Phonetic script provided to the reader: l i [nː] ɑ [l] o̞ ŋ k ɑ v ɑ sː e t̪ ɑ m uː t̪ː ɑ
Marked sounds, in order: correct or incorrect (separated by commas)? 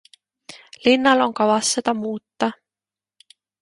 correct, correct